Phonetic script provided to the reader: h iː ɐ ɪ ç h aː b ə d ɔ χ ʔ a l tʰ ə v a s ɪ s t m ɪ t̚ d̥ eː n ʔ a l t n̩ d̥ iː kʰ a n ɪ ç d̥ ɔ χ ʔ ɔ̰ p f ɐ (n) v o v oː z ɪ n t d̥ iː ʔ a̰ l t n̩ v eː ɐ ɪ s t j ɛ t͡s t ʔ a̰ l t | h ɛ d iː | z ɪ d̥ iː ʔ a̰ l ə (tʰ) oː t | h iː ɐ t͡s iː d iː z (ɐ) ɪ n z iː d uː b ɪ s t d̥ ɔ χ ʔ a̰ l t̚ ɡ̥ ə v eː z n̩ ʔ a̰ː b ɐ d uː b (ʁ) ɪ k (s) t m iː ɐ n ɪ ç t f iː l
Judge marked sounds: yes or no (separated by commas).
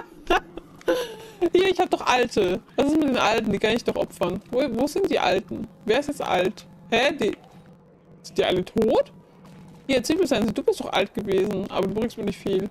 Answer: yes, yes, no, yes, yes